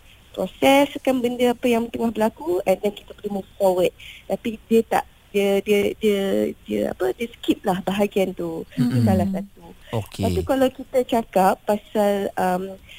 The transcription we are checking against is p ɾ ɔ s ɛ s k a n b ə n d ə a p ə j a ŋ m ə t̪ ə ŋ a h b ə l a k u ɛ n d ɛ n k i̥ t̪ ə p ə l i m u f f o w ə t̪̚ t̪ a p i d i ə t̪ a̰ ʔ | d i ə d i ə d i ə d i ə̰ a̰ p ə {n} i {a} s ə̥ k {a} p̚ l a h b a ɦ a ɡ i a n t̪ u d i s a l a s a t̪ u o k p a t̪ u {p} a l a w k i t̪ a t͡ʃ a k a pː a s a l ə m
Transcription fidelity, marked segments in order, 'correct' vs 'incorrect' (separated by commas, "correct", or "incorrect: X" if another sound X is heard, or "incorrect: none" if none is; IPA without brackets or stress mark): incorrect: d, incorrect: ə, incorrect: i, incorrect: k